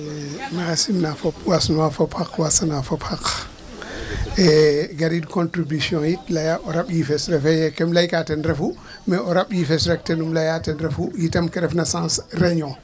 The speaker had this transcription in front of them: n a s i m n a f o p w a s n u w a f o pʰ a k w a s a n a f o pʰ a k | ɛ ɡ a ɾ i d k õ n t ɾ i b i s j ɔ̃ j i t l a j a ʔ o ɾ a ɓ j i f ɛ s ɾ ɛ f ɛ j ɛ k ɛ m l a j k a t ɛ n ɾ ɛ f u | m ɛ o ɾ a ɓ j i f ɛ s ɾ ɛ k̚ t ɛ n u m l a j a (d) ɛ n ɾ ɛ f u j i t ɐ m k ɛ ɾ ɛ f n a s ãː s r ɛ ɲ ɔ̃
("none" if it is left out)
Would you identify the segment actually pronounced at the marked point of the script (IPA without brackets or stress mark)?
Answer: t